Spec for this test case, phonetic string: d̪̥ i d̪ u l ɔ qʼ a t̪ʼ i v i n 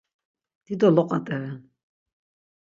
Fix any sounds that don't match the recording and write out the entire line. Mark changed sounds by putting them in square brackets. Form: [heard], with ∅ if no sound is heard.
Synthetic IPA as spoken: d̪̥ i d̪ [ɔ] l ɔ qʼ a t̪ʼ [ɛ] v [ɛ] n